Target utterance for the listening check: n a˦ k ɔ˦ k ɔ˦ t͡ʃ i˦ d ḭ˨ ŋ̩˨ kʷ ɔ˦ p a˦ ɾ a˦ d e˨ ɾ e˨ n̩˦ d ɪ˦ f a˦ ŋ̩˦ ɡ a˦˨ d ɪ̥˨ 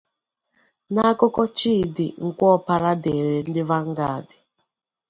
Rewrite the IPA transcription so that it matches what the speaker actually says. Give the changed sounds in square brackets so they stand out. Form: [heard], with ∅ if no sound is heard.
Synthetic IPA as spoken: n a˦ k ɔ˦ k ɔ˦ t͡ʃ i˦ d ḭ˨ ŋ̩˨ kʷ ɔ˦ p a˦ ɾ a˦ d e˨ ɾ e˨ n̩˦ d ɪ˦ [v] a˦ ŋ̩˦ ɡ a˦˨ d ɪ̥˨